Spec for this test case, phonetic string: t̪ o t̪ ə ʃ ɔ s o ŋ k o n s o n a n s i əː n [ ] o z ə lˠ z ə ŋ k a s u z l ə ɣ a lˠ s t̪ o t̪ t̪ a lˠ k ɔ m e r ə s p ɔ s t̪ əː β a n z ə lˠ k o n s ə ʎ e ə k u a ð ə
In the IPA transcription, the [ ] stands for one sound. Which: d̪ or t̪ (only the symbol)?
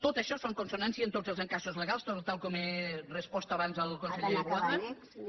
t̪